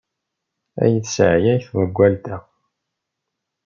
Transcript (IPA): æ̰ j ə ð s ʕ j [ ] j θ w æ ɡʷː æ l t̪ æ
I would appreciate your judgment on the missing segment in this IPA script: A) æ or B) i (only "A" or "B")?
A